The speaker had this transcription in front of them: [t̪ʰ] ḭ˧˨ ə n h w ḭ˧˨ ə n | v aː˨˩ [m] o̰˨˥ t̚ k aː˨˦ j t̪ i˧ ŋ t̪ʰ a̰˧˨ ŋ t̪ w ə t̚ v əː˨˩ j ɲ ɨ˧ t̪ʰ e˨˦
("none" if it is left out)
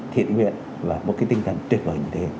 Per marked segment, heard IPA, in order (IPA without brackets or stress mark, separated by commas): t̪ʰ, m